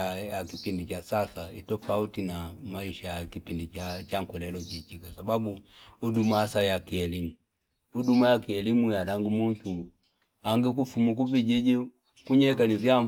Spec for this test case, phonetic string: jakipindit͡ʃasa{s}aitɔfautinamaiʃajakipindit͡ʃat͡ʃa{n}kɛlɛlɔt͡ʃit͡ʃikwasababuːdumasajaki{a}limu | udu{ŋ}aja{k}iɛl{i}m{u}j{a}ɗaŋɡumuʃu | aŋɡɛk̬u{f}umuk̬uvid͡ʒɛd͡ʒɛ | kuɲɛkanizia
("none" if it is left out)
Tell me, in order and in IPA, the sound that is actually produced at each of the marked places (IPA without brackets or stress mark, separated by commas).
s, ŋ, ɛ, m, k, i, u, a, f